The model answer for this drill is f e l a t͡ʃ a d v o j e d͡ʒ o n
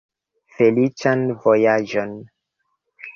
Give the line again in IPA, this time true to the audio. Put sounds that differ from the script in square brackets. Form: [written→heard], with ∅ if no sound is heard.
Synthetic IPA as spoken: f e l [a→i] t͡ʃ a [d→n] v o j [e→a] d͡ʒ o n